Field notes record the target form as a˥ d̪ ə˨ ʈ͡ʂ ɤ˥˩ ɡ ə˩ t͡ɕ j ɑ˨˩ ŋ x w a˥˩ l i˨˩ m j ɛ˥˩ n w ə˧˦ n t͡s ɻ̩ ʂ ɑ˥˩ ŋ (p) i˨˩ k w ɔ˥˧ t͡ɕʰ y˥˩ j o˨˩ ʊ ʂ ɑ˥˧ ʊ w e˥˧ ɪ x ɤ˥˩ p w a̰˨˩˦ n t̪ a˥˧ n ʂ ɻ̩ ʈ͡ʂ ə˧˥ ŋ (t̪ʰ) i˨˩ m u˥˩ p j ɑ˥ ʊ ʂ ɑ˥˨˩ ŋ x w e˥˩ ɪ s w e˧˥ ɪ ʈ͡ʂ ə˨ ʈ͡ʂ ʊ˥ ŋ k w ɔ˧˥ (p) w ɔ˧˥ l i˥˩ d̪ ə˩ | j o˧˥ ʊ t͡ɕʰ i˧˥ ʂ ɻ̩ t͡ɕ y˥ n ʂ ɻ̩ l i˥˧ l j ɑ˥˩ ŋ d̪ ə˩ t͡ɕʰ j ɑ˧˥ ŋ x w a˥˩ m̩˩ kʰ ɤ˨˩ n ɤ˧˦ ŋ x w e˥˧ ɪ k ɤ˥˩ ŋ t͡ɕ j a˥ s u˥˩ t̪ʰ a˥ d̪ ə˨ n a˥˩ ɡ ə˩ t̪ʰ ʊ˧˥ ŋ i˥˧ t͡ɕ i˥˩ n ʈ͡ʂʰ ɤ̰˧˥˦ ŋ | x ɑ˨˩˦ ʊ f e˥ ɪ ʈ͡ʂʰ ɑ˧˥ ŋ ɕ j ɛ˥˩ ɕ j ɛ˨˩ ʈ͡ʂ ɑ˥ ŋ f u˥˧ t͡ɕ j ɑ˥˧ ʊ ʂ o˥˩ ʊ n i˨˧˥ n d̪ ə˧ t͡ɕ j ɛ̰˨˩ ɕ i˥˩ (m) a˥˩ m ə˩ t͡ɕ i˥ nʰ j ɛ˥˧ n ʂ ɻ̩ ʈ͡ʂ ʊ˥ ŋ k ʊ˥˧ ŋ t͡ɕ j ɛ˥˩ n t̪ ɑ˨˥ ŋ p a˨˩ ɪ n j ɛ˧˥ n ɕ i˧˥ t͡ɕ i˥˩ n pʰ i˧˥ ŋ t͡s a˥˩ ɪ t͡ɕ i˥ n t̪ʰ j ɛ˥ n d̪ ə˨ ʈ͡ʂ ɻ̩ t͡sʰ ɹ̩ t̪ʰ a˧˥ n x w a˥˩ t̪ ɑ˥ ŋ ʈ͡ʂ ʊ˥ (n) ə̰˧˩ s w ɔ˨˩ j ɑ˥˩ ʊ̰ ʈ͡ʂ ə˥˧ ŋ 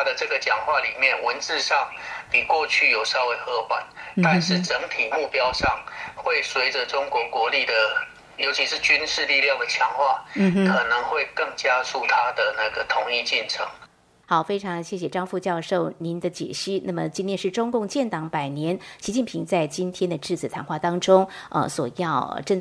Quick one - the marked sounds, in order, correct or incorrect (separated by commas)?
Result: correct, correct, incorrect, incorrect, incorrect